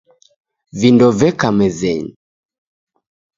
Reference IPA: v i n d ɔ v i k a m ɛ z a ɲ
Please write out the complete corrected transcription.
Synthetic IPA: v i n d ɔ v ɛ k a m ɛ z ɛ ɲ